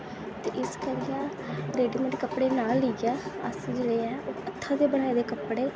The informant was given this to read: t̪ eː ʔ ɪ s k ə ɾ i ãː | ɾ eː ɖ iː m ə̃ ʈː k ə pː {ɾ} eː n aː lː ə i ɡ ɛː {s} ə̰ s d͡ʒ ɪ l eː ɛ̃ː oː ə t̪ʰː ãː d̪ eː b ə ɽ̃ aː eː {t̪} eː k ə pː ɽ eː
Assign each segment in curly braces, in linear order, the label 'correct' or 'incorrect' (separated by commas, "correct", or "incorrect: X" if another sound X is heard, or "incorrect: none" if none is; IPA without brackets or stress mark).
incorrect: ɽ, incorrect: none, incorrect: d̪